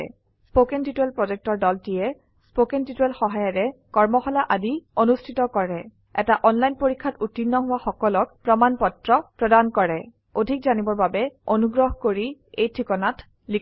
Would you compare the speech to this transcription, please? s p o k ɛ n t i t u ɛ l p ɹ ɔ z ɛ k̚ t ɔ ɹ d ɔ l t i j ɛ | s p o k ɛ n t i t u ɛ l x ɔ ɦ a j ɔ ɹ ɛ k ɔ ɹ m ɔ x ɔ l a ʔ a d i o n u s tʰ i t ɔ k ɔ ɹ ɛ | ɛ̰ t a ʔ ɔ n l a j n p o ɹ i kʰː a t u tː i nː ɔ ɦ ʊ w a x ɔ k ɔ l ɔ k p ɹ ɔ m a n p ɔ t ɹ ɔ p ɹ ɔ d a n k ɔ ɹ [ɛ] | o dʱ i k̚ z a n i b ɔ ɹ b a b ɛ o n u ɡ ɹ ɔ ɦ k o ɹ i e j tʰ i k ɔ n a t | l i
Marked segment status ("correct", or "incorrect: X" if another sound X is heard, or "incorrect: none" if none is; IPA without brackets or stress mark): correct